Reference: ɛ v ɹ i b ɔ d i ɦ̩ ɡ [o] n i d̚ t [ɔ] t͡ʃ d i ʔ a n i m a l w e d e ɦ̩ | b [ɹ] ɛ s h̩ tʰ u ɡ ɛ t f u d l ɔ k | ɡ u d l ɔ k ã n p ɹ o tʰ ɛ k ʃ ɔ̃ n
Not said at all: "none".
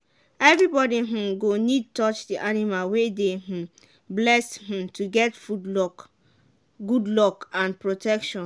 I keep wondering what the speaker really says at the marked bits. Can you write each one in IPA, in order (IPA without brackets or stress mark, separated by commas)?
o, ɔ, l